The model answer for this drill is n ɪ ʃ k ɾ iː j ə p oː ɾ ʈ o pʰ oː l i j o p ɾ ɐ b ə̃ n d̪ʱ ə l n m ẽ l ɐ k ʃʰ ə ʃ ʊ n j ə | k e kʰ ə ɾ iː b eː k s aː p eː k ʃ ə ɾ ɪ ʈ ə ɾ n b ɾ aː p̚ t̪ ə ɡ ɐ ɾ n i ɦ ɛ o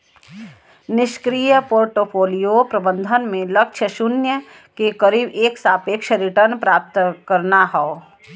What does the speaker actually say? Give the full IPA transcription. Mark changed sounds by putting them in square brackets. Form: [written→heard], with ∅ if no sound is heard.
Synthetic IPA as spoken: n ɪ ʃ k ɾ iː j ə p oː ɾ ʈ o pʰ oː l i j o p ɾ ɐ b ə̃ n d̪ʱ ə [l→∅] n m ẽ l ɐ k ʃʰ ə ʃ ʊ n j ə | k e [kʰ→k] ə ɾ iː b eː k s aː p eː k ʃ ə ɾ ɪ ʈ ə ɾ n [b→p] ɾ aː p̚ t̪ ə [ɡ→k] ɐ ɾ n [i→a] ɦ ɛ o